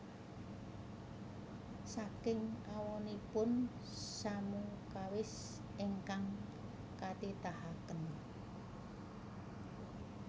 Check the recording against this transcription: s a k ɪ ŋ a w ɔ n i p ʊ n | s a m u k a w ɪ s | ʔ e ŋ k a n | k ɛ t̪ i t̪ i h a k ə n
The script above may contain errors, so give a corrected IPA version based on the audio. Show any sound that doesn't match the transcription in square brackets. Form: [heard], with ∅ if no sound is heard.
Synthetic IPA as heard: s a k ɪ ŋ a w ɔ n i p ʊ n | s a m u k a w ɪ s | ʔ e ŋ k a [ŋ] | k [a] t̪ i t̪ [a] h a k ə n